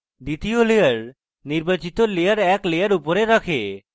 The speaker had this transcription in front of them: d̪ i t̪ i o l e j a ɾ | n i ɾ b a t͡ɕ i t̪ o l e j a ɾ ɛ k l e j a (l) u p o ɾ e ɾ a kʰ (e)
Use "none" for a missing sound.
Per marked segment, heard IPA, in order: ɾ, e

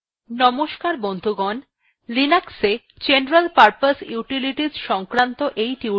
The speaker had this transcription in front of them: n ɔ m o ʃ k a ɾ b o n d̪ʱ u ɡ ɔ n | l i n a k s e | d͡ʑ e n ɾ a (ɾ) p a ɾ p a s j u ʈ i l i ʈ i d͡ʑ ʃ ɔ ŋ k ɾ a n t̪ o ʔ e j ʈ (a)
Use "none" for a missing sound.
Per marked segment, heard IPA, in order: l, i

